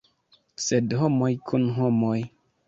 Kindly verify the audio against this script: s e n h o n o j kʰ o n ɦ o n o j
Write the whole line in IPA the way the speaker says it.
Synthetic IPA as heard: s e d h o m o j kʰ u n ɦ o m o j

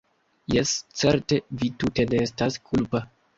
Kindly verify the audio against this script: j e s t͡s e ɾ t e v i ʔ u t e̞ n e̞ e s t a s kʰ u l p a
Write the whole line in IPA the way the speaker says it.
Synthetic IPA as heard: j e s t͡s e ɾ t e v i t u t e̞ n e̞ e s t a s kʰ u l p a

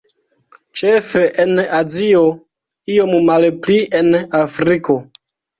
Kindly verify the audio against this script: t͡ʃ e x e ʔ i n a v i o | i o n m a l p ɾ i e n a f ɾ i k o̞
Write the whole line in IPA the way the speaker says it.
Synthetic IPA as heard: t͡ʃ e f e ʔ e n a z i o | i o m m a l p l i e n a f ɾ i k o̞

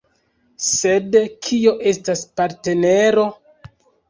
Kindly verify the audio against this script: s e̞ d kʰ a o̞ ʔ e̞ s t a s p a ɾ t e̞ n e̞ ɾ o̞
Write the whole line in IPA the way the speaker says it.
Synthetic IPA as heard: s e̞ d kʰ i o̞ ʔ e̞ s t a s p a ɾ t e̞ n e̞ ɾ o̞

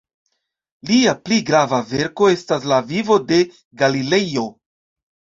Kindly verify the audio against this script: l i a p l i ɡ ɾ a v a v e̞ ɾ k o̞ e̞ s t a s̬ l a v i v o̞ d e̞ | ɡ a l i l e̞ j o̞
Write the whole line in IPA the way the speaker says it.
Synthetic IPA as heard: l i a p l i ɡ ɾ a v a v e̞ ɾ k o̞ e̞ s t a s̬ l a v i v o̞ d e̞ | ɡ a l i l e̞ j o̞

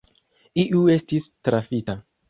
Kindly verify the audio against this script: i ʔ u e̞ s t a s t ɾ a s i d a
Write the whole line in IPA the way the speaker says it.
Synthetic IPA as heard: i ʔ u e̞ s t i s t ɾ a f i t a

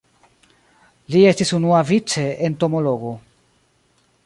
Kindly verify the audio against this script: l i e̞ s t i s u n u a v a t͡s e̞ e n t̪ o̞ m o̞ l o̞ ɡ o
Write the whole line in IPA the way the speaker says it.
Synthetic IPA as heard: l i e̞ s t i s u n u a v i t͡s e̞ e n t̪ o̞ m o̞ l o̞ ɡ o

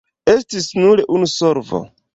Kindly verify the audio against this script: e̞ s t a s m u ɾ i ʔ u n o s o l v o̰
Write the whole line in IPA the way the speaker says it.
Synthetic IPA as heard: e̞ s t i s n u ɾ e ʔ u n u s o ɾ v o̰

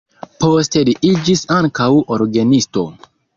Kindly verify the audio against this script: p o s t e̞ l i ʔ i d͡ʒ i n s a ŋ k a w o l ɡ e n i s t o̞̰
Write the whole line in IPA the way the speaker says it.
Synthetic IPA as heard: p o s t e̞ l i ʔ i d͡ʒ i s a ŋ k a w o ɾ ɡ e n i s t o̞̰

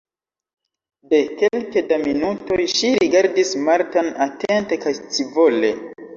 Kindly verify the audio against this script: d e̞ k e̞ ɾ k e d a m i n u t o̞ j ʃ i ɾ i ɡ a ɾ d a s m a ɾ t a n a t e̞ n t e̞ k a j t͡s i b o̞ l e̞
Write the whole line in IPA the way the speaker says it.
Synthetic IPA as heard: d e̞ k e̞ l k e d a m i n u t o̞ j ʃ i ɾ i ɡ a ɾ d i s m a ɾ t a n a t e̞ n t e̞ k a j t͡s i v o̞ l e̞

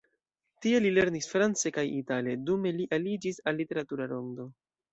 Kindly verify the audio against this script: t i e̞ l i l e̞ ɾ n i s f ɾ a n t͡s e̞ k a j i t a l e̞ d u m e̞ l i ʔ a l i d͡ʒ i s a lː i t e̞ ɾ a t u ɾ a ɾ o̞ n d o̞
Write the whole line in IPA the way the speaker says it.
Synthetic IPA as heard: t i e̞ l i l e̞ ɾ n i s f ɾ a n t͡s e̞ k a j i t a l e̞ d u m e̞ l i ʔ a l i d͡ʒ i s a lː i t e̞ ɾ a t u ɾ a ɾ o̞ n d o̞

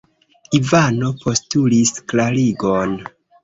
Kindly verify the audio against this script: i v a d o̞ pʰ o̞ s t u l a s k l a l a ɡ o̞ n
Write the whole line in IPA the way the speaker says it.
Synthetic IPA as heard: i v a n o̞ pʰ o̞ s t u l i s k l a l i ɡ o̞ n

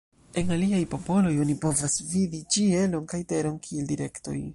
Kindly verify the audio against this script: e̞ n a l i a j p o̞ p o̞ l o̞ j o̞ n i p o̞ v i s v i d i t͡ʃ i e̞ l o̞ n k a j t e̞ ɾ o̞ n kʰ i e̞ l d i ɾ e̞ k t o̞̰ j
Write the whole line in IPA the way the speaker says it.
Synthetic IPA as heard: e̞ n a l i a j p o̞ p o̞ l o̞ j o̞ n i p o̞ v a s v i d i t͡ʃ i e̞ l o̞ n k a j t e̞ ɾ o̞ n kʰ i e̞ l d i ɾ e̞ k t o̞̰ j

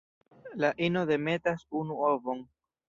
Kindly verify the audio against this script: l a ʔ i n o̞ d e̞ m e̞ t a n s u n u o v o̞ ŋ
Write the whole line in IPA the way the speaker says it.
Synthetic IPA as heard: l a ʔ i n o̞ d e̞ m e̞ t a s u n u o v o̞ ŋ

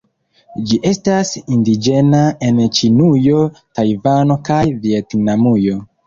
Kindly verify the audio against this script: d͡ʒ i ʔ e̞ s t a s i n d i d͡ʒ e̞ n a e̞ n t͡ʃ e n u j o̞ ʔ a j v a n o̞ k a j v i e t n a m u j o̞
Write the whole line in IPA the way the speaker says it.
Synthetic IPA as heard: d͡ʒ i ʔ e̞ s t a s i n d i d͡ʒ e̞ n a e̞ n t͡ʃ i n u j o̞ t a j v a n o̞ k a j v i e t n a m u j o̞

